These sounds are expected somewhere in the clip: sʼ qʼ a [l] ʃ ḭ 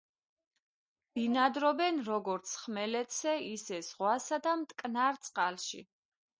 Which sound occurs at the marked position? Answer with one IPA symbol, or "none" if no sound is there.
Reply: l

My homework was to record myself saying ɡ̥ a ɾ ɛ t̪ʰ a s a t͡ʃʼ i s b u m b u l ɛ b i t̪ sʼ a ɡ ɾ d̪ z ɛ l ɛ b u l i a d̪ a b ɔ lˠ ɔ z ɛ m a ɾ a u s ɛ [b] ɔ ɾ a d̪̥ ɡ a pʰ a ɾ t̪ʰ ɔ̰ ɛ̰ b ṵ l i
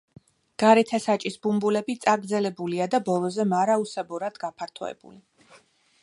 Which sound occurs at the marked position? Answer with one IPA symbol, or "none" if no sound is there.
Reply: b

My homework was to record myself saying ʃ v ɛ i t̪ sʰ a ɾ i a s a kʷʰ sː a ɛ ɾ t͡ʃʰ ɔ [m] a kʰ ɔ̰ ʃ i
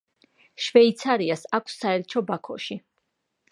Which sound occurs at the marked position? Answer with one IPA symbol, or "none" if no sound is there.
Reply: b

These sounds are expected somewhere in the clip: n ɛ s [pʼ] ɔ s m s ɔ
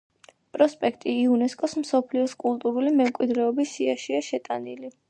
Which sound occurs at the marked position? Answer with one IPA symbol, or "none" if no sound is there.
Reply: kʼ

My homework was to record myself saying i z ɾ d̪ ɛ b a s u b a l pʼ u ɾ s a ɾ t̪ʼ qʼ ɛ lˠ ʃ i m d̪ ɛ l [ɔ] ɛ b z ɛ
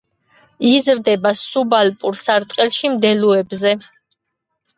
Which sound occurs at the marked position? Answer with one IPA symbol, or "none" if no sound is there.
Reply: u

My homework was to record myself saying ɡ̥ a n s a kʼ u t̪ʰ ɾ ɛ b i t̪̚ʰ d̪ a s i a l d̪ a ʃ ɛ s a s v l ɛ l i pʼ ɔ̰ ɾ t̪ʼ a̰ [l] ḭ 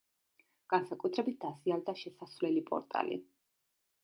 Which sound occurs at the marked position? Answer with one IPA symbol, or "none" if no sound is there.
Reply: l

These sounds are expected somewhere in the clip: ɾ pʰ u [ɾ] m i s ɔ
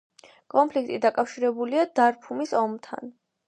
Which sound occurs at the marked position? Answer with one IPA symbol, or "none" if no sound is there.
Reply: none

